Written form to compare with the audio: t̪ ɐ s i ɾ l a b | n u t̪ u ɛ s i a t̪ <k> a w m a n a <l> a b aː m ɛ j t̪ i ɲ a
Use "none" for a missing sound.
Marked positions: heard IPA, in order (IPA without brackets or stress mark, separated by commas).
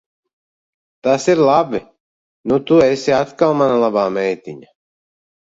k, l